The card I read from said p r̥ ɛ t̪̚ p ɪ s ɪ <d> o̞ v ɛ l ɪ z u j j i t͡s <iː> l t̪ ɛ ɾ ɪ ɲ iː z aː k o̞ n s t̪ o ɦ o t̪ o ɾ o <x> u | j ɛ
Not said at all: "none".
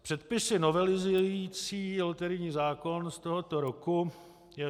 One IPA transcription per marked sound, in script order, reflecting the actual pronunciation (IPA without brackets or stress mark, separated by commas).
n, iː, k